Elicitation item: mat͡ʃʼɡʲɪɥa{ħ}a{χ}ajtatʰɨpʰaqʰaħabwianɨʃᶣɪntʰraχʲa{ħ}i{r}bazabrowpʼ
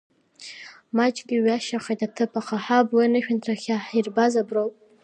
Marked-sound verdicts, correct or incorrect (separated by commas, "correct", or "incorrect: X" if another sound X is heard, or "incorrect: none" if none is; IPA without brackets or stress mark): incorrect: ʃ, correct, correct, correct